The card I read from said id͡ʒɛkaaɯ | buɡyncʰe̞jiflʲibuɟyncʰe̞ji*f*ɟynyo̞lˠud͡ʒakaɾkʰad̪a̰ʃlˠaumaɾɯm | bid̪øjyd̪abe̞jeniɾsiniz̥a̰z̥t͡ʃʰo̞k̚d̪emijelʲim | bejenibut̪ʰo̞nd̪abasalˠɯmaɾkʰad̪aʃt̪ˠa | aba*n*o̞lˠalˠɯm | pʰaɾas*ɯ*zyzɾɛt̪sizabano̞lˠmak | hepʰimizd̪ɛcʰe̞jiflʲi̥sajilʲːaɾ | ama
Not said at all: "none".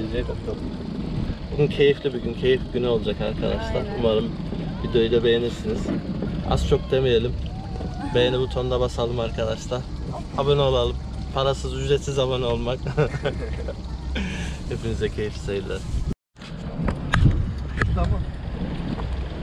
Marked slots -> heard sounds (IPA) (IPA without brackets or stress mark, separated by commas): f, n, ɯ